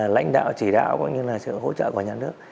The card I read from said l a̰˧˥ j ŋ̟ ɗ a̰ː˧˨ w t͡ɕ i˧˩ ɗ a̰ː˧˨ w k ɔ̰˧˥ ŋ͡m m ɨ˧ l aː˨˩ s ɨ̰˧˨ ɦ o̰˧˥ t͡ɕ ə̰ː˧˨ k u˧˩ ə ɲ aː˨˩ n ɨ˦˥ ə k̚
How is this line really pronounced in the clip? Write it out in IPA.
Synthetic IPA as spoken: l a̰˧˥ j ŋ̟ ɗ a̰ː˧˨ w t͡ɕ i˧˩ ɗ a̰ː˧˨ w k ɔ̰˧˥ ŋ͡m ɲ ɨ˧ l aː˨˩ s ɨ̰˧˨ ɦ o̰˧˥ t͡ɕ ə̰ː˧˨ k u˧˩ ə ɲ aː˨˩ n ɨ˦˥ ə k̚